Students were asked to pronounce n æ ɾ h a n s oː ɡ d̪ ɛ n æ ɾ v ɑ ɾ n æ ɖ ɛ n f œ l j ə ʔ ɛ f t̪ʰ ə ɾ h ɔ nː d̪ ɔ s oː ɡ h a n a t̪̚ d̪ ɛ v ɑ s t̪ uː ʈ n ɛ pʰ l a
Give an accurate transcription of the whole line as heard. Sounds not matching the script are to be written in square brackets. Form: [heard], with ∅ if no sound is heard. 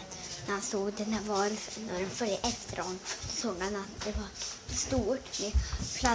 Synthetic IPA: n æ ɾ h a n s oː ɡ d̪ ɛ n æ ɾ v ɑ ɾ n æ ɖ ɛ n f œ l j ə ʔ ɛ f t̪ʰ ə ɾ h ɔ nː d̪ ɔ s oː ɡ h a n a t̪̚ d̪ ɛ v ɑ s t̪ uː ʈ [m] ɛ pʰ l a